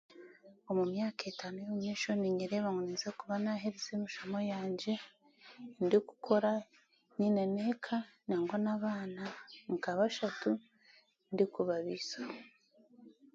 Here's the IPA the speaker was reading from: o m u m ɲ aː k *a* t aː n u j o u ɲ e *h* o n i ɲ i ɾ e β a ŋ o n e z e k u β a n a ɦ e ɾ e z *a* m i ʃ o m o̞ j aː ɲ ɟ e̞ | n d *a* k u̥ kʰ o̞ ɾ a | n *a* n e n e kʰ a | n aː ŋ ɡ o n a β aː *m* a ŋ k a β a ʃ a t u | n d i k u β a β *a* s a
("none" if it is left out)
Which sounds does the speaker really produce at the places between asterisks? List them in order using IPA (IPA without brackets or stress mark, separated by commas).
e, ʃ, e, i, i, n, i